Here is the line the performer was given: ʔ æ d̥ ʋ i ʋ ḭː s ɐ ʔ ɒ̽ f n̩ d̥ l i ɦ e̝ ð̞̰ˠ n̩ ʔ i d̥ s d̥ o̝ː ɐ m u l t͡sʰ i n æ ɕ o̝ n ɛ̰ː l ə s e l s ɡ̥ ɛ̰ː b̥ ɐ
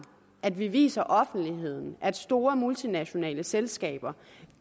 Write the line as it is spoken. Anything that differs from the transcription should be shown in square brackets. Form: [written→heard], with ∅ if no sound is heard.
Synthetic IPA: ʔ æ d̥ ʋ i ʋ ḭː s ɐ ʔ ɒ̽ f n̩ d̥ l i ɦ e̝ ð̞̰ˠ n̩ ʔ [i→æ] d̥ s d̥ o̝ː ɐ m u l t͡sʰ i n æ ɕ o̝ n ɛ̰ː l ə s e l s ɡ̥ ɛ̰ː b̥ ɐ